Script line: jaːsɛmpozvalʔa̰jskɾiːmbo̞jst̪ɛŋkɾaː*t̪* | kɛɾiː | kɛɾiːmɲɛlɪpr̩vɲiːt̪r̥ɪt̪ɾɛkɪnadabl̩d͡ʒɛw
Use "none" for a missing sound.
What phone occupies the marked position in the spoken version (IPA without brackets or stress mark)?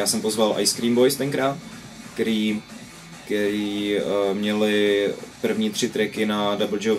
t̪